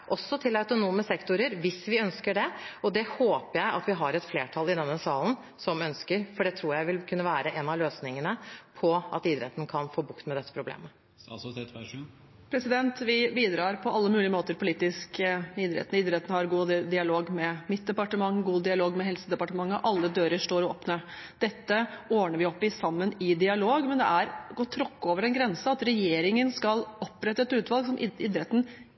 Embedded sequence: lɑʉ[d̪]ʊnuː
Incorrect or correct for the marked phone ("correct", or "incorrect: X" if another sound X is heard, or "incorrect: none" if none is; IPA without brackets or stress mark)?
incorrect: t̪